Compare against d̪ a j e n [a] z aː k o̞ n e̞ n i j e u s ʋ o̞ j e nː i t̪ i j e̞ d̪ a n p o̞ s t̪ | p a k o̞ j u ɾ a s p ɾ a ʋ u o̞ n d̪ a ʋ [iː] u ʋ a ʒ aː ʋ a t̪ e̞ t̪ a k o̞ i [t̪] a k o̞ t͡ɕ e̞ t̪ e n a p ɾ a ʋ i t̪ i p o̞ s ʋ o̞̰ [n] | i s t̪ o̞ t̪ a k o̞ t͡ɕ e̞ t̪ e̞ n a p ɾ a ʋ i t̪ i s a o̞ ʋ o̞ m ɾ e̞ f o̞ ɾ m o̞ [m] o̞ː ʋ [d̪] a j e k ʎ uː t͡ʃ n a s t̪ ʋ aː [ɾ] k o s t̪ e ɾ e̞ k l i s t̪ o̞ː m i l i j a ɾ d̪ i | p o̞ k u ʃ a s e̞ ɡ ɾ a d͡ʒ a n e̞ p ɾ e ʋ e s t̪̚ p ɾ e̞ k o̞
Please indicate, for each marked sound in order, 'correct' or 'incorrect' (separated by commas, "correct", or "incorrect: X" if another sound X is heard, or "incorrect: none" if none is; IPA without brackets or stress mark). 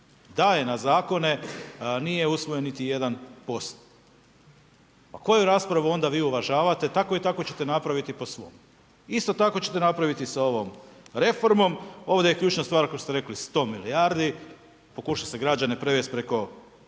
correct, correct, correct, incorrect: m, correct, correct, correct